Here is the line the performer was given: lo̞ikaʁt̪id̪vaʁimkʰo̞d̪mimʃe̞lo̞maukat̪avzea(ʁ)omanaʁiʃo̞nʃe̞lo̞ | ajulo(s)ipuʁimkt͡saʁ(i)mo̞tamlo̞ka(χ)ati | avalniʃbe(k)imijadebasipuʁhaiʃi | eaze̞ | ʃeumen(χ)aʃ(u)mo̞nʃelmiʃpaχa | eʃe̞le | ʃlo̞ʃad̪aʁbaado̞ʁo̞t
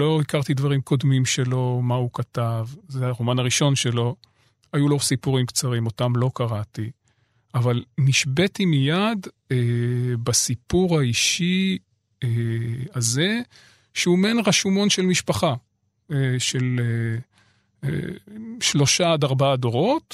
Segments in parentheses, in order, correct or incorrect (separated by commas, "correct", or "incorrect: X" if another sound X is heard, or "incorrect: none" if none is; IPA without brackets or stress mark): correct, correct, correct, incorrect: ʁ, incorrect: t, incorrect: ʁ, correct